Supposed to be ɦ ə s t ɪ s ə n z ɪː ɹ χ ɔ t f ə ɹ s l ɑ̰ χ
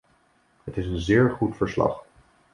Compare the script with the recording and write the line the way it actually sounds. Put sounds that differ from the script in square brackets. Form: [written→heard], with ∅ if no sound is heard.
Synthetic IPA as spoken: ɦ ə [s→∅] t ɪ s ə n z ɪː ɹ χ [ɔ→u] t f ə ɹ s l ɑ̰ χ